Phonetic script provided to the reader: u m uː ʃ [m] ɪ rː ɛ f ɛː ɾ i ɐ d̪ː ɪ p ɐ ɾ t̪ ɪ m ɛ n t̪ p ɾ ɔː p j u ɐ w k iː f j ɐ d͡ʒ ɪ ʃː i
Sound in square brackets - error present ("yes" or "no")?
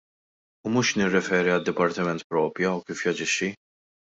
yes